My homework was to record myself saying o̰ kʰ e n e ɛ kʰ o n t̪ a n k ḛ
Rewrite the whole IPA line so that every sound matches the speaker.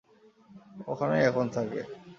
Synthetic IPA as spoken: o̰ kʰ a n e ɛ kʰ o n t̪ʰ a k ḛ

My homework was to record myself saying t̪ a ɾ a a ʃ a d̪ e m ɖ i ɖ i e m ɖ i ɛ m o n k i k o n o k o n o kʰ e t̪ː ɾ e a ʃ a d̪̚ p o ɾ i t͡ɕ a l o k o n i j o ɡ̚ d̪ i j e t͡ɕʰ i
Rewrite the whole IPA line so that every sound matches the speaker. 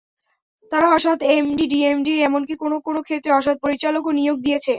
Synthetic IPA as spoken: t̪ a ɾ a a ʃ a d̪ e m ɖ i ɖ i e m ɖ i ɛ m o n k i k o n o k o n o kʰ e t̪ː ɾ e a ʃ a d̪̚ p o ɾ i t͡ɕ a l o k o n i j o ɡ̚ d̪ i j e t͡ɕʰ e

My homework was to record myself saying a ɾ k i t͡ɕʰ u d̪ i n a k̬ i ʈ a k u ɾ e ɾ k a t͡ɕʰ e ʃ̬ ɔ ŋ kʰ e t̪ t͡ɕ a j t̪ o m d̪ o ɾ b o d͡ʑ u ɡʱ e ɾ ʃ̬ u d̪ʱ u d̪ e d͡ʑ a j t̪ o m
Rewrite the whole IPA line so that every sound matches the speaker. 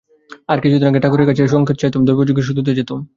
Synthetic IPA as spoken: a ɾ k i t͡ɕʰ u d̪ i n a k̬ e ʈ a k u ɾ e ɾ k a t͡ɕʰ e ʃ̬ ɔ ŋ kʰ e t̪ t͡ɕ a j t̪ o m d̪ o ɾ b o d͡ʑ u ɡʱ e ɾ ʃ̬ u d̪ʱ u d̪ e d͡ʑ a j t̪ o m

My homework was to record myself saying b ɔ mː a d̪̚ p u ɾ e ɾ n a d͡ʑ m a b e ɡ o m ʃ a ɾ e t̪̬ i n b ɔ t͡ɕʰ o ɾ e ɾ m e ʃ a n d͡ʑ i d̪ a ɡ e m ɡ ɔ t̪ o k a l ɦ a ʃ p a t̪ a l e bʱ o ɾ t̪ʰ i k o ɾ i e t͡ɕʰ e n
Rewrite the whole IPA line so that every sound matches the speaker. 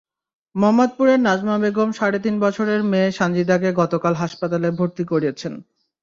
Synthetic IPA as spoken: m ɔ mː a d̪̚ p u ɾ e ɾ n a d͡ʑ m a b e ɡ o m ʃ a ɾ e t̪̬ i n b ɔ t͡ɕʰ o ɾ e ɾ m e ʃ a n d͡ʑ i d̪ a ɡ e ɡ ɔ t̪ o k a l ɦ a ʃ p a t̪ a l e bʱ o ɾ t̪ i k o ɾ i e t͡ɕʰ e n

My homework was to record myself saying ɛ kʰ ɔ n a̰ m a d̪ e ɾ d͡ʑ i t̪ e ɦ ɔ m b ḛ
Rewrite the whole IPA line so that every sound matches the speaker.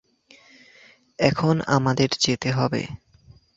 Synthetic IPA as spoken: ɛ kʰ o n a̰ m a d̪ e ɾ d͡ʑ e t̪ e ɦ ɔ b ḛ

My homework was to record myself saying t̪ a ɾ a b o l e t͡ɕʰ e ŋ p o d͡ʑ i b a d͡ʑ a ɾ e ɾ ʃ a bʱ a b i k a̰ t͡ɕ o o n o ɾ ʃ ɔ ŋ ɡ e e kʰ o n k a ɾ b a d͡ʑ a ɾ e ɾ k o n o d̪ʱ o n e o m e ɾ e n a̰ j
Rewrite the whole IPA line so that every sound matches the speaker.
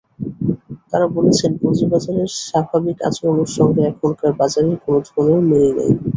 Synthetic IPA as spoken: t̪ a ɾ a b o l e t͡ɕʰ e n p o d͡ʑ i b a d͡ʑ a ɾ e ɾ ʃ a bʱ a b i k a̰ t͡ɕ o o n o ɾ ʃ ɔ ŋ ɡ e ɛ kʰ o n k a ɾ b a d͡ʑ a ɾ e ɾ k o n o d̪ʱ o n e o m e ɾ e n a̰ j

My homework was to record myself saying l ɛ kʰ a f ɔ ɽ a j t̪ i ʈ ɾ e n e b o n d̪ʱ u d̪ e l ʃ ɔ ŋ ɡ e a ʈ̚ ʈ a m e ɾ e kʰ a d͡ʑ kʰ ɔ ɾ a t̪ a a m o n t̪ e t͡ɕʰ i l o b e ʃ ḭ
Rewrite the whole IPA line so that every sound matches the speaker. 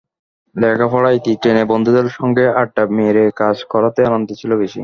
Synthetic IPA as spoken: l ɛ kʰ a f ɔ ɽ a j t̪ i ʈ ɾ e n e b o n d̪ʱ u d̪ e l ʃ ɔ ŋ ɡ e a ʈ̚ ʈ a m e ɾ e k a d͡ʑ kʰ ɔ ɾ a t̪ e a n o n t̪ e t͡ɕʰ i l o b e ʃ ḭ

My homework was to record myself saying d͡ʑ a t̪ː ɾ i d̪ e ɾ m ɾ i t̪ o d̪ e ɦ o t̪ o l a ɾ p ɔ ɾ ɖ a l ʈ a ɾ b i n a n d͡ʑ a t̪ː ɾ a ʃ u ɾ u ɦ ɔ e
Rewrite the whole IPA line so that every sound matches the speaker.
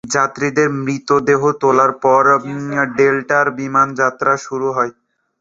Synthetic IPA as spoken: d͡ʑ a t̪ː ɾ i d̪ e ɾ m ɾ i t̪ o d̪ e ɦ o t̪ o l a ɾ p ɔ ɾ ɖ e l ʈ a ɾ b i m a n d͡ʑ a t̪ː ɾ a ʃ u ɾ u ɦ ɔ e

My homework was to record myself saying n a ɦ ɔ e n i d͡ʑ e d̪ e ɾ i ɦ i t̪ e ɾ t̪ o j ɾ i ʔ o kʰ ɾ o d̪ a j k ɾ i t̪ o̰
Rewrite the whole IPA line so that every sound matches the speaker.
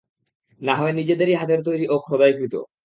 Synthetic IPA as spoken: n a ɦ ɔ e n i d͡ʑ e d̪ e ɾ i ɦ a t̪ e ɾ t̪ o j ɾ i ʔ o kʰ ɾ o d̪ a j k ɾ i t̪ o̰

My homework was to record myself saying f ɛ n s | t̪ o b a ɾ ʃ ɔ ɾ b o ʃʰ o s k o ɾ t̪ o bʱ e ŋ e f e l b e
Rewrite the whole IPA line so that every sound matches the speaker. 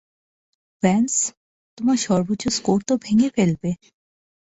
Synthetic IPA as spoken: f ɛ n s | t̪ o m a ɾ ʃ ɔ ɾ b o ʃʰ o s k o ɾ t̪ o bʱ e ŋ e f e l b e

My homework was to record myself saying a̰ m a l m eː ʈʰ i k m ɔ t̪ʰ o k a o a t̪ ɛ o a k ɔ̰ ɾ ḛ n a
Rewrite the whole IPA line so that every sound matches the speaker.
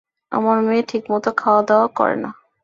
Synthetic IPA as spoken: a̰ m a ɾ m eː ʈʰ i k m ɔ t̪ o kʰ a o a d̪ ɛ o a k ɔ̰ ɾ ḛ n a

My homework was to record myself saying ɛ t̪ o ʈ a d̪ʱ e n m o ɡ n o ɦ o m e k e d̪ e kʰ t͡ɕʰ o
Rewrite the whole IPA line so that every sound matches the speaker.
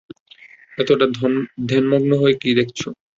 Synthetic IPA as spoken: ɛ t̪ o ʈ a d̪ʱ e n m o ɡ n o ɦ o e k i d̪ e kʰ t͡ɕʰ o

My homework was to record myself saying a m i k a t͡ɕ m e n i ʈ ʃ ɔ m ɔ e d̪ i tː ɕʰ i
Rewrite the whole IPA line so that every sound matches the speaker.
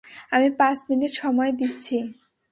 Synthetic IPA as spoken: a m i p a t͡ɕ m i n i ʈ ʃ ɔ m ɔ e d̪ i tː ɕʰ i

